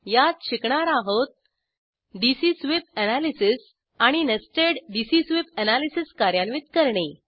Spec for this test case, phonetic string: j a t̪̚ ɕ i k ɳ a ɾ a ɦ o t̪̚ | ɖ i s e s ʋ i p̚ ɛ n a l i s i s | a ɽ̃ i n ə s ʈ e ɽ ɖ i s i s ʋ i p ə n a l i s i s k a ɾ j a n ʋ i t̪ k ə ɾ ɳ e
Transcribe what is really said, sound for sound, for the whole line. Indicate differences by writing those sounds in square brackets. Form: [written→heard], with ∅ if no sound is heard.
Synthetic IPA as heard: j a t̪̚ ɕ i k ɳ a ɾ a ɦ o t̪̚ | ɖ i s [e→i] s ʋ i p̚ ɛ n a l i s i s | a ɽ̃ i n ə s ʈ e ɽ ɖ i s i s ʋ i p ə n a l i s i s k a ɾ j a n ʋ i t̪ k ə ɾ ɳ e

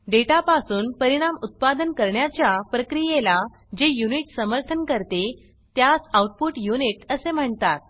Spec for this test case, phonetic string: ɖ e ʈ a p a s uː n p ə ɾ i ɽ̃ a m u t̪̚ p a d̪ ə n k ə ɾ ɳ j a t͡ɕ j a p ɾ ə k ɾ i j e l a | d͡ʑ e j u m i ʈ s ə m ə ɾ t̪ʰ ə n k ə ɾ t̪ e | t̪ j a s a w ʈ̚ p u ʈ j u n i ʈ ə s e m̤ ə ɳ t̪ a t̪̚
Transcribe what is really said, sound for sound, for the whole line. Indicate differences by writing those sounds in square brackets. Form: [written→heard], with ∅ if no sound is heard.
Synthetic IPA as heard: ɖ e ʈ a p a s uː n p ə ɾ i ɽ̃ a m u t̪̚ p a d̪ ə n k ə ɾ ɳ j a t͡ɕ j a p ɾ ə k ɾ i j e l a | d͡ʑ e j u [m→n] i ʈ s ə m ə ɾ t̪ʰ ə n k ə ɾ t̪ e | t̪ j a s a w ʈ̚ p u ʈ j u n i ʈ ə s e m̤ ə ɳ t̪ a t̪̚

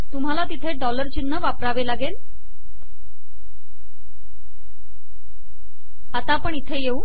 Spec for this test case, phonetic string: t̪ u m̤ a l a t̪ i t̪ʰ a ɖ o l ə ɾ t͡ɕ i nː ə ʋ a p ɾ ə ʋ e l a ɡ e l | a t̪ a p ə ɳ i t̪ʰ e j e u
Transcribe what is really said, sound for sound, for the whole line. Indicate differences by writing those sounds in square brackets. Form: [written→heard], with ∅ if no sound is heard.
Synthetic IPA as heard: t̪ u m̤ a l a t̪ i t̪ʰ [a→e] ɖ [o→ɔ] l ə ɾ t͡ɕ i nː ə ʋ a p ɾ [ə→a] ʋ e l a ɡ e l | a t̪ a p ə ɳ i t̪ʰ e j e u

